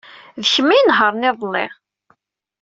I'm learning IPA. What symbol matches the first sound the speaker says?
ð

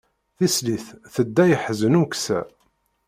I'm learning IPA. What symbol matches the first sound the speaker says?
θ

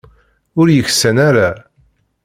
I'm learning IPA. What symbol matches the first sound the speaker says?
ʊ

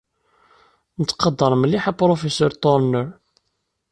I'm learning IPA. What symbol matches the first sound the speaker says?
n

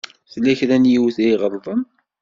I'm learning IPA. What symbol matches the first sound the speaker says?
θ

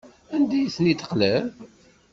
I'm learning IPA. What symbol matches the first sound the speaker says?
æ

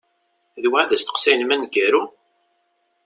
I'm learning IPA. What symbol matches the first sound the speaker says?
ð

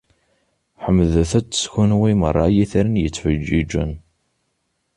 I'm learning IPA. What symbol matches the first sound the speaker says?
ħ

